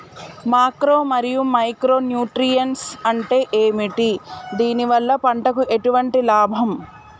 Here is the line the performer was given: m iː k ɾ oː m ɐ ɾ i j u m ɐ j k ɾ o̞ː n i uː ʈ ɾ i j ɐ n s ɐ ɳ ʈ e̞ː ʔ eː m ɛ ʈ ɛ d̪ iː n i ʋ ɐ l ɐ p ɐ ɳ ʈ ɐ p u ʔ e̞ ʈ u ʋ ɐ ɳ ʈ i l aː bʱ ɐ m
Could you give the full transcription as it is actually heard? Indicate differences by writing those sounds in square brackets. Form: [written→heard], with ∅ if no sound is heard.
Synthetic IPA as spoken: m [iː→aː] k ɾ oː m ɐ ɾ i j u m ɐ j k ɾ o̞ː n [i→j] uː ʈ ɾ i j ɐ n s ɐ ɳ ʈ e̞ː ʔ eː m [ɛ→i] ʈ [ɛ→i] d̪ iː n i ʋ ɐ [l→lː] ɐ p ɐ ɳ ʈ ɐ [p→k] u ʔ e̞ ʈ u ʋ ɐ ɳ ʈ i l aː bʱ ɐ m